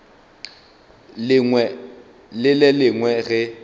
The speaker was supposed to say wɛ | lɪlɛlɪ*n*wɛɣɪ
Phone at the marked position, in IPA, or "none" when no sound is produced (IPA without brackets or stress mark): ŋ